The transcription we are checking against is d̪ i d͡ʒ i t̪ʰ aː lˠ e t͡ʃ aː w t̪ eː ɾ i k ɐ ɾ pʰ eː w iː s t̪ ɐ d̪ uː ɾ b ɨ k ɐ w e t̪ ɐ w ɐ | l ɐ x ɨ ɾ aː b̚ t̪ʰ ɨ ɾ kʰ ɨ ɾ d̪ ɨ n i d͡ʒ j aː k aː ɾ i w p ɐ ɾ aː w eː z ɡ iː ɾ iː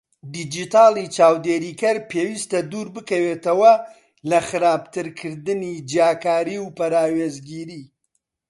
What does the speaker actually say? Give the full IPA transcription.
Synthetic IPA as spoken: d̪ i d͡ʒ i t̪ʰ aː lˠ i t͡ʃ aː w d̪ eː ɾ i k ɐ ɾ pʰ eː w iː s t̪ ɐ d̪ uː ɾ b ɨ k ɐ w e t̪ ɐ w ɐ | l ɐ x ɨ ɾ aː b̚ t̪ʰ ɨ ɾ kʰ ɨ ɾ d̪ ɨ n i d͡ʒ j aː k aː ɾ i w p ɐ ɾ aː w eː z ɡ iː ɾ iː